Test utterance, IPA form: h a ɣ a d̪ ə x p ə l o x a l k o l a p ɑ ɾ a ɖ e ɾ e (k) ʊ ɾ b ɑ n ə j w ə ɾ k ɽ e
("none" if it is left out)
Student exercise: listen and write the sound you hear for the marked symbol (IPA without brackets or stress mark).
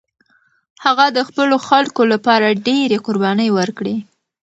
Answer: q